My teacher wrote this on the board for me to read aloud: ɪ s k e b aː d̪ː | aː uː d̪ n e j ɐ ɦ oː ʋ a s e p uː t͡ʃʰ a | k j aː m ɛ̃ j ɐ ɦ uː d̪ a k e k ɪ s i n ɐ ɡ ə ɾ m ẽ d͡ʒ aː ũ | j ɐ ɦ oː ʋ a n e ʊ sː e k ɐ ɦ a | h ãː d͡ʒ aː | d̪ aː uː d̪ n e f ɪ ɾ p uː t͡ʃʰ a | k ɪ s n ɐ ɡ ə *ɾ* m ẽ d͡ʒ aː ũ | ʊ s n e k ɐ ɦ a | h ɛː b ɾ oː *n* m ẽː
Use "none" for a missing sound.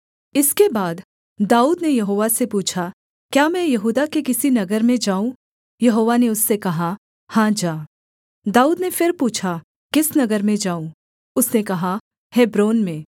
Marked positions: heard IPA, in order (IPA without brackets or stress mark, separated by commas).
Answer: ɾ, n